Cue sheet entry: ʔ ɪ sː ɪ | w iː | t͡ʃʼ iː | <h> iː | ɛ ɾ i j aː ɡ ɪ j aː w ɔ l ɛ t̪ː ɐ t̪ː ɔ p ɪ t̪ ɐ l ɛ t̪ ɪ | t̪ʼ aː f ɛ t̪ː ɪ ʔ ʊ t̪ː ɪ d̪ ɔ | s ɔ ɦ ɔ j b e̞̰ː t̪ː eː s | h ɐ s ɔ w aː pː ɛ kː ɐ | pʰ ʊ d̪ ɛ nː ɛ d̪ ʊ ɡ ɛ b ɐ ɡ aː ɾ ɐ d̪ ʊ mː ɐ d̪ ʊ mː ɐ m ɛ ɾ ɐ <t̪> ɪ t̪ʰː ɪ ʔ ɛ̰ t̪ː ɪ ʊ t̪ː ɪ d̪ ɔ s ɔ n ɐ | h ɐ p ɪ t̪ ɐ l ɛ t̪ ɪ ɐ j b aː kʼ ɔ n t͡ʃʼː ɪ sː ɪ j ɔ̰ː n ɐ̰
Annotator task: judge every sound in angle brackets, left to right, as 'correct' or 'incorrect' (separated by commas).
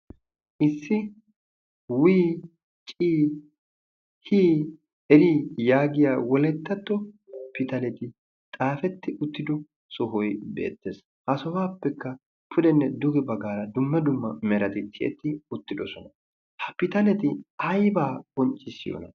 correct, correct